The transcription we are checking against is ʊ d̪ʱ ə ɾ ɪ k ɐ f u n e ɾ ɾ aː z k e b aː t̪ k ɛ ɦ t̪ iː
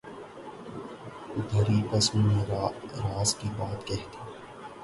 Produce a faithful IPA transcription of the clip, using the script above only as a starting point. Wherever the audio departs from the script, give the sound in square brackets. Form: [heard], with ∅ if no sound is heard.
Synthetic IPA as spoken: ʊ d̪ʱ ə ɾ [i] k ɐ [s] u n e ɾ ɾ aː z k [i] b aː t̪ k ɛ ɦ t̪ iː

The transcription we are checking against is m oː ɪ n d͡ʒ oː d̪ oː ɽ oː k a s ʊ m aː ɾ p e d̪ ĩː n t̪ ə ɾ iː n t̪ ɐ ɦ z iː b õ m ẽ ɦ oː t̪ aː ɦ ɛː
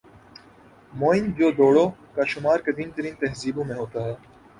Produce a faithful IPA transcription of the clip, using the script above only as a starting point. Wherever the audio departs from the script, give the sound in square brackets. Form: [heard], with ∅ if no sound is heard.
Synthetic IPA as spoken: m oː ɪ n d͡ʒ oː d̪ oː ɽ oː k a [ʃ] ʊ m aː ɾ [k] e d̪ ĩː n t̪ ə ɾ iː n t̪ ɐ ɦ z iː b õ m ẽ ɦ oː t̪ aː ɦ ɛː

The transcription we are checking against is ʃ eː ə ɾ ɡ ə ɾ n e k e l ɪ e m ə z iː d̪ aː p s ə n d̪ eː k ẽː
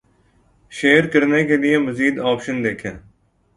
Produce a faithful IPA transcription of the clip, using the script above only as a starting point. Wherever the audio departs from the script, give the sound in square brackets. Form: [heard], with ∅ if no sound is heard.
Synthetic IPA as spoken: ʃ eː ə ɾ [k] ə ɾ n e k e l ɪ e m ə z iː d̪ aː p [ʃ] ə n d̪ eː [kʰ] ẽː

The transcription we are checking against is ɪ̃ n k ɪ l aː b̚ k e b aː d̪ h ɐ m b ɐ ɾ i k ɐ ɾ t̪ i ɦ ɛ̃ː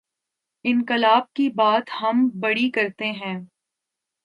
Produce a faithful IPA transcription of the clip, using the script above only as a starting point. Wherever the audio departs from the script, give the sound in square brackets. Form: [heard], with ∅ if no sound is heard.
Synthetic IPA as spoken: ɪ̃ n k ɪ l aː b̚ k [i] b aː [t̪] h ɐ m b ɐ [ɽ] i k ɐ ɾ t̪ [e] ɦ ɛ̃ː

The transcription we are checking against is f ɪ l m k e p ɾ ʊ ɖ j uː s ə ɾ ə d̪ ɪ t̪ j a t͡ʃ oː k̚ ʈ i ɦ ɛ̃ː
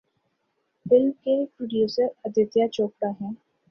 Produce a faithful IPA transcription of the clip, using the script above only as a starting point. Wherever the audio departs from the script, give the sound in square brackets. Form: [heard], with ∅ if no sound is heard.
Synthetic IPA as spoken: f ɪ l m k e p ɾ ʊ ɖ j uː s ə ɾ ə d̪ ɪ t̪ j a t͡ʃ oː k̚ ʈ [a] ɦ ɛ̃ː

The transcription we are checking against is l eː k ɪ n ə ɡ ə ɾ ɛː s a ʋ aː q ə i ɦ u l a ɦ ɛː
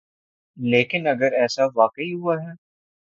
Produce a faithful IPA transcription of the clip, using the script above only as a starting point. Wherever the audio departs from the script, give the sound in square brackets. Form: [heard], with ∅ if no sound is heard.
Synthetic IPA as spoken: l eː k ɪ n [ɐ] ɡ ə ɾ ɛː s a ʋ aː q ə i ɦ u [∅] a ɦ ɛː

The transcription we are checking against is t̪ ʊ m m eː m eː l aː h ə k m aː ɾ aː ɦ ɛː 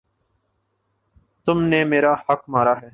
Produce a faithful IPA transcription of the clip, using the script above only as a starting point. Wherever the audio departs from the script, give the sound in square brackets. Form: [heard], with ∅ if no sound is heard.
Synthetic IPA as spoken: t̪ ʊ m [n] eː m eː [ɾ] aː h ə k m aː ɾ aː ɦ ɛː

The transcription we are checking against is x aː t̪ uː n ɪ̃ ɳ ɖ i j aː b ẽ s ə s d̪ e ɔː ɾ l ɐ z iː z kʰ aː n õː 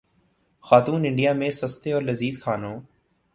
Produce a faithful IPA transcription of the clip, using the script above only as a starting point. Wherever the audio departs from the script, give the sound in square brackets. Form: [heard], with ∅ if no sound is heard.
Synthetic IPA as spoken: x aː t̪ uː n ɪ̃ ɳ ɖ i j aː [m] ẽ s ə s [t̪] e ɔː ɾ l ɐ z iː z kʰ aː n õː

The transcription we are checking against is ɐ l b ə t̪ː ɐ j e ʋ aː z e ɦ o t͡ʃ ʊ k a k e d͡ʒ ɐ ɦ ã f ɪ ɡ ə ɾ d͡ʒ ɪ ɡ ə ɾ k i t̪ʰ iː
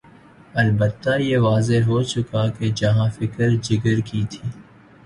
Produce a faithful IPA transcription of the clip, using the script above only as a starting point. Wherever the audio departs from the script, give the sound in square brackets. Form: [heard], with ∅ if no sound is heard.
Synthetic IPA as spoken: ɐ l b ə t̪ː [a] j e ʋ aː z e ɦ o t͡ʃ ʊ k a k e d͡ʒ ɐ ɦ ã f ɪ [k] ə ɾ d͡ʒ ɪ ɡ ə ɾ k i t̪ʰ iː

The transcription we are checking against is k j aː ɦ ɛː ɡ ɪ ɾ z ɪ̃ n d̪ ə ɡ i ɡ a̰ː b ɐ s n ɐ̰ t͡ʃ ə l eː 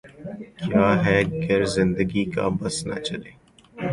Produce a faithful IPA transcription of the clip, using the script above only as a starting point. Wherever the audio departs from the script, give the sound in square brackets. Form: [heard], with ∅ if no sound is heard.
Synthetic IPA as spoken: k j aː ɦ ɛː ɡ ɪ ɾ z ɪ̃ n d̪ ə ɡ i [k] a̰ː b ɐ s n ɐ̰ t͡ʃ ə l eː

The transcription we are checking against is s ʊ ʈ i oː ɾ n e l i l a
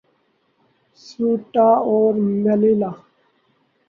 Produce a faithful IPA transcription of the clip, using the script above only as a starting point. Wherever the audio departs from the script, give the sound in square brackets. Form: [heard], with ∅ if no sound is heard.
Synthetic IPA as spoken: s [u] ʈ [a] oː ɾ [m] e l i l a

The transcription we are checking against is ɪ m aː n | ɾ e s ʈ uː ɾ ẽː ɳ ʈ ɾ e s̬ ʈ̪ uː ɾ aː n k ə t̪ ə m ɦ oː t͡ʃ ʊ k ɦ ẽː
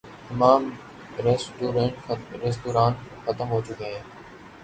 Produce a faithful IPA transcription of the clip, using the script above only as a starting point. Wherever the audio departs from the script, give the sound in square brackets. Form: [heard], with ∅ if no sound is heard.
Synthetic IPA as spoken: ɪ m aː [m] | ɾ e s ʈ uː ɾ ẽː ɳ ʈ ɾ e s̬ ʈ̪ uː ɾ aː n [x] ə t̪ ə m ɦ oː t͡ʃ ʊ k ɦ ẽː

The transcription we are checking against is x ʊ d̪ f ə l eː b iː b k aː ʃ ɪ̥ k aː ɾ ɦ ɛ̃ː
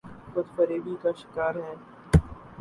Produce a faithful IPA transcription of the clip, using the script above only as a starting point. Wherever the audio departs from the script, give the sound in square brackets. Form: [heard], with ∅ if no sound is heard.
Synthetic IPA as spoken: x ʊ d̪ f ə [ɾ] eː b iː [∅] k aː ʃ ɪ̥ k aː ɾ ɦ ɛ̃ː

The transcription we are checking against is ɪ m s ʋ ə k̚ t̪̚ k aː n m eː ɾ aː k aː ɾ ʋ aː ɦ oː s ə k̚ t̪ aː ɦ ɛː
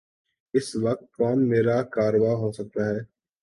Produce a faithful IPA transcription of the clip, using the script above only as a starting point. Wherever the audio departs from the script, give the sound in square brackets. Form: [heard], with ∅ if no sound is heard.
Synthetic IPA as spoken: ɪ [∅] s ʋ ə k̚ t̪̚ k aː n m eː ɾ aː k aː ɾ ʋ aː ɦ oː s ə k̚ t̪ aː ɦ ɛː

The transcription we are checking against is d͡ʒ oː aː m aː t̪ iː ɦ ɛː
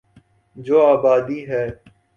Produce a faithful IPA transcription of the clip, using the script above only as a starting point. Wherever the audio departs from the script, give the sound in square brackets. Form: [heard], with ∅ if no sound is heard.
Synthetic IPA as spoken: d͡ʒ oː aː [b] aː [d̪] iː ɦ ɛː

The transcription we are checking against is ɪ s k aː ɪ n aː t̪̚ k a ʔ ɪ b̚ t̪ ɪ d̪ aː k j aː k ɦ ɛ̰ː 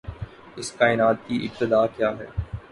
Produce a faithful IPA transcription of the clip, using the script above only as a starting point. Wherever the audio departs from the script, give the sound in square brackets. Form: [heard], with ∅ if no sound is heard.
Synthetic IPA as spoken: ɪ s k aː ɪ n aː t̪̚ k [i] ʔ ɪ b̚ t̪ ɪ d̪ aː k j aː [∅] ɦ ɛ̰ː

